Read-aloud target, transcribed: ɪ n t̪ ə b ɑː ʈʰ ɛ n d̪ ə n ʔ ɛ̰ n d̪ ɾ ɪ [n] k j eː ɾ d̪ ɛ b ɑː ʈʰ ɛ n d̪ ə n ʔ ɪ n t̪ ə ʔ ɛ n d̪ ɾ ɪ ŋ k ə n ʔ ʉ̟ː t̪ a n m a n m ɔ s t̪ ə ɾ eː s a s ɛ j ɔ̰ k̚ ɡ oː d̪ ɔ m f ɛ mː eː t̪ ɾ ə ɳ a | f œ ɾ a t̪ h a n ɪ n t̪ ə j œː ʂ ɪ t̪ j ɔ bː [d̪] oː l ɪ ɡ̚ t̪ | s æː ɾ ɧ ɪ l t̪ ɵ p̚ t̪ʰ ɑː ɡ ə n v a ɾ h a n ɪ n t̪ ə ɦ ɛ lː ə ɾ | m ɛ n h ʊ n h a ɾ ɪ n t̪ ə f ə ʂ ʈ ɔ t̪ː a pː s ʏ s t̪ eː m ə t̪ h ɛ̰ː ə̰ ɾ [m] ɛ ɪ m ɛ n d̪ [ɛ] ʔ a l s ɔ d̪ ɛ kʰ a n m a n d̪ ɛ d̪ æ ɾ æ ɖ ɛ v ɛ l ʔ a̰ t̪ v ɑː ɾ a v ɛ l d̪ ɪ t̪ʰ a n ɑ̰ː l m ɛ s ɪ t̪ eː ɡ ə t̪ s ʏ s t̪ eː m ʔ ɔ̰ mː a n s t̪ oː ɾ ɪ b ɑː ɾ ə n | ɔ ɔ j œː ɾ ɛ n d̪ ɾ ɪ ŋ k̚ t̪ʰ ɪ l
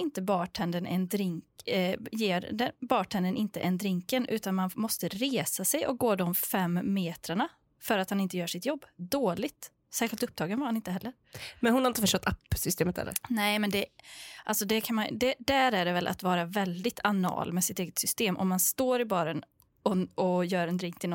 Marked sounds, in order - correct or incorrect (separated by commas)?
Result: incorrect, correct, incorrect, correct